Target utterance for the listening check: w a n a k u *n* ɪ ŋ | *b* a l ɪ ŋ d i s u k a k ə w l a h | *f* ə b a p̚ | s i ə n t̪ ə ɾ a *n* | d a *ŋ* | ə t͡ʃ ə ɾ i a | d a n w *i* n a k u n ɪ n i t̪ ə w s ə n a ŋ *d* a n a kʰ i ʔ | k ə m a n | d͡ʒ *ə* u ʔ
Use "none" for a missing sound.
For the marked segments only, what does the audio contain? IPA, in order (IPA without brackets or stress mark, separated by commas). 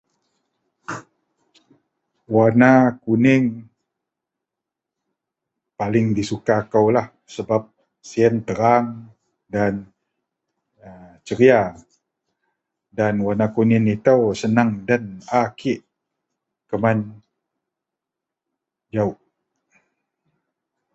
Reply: n, p, s, ŋ, n, a, d, a